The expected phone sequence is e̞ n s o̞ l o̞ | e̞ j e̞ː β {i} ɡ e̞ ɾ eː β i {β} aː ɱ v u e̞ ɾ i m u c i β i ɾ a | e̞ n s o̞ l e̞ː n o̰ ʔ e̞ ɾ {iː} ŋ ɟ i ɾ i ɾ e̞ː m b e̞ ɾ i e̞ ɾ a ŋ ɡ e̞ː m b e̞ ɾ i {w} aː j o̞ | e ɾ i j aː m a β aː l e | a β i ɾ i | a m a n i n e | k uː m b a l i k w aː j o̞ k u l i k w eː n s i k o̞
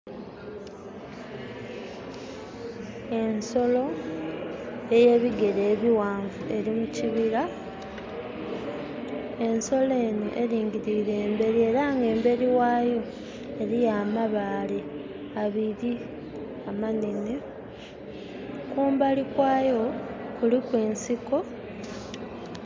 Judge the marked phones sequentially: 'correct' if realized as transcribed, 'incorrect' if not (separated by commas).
correct, incorrect, correct, correct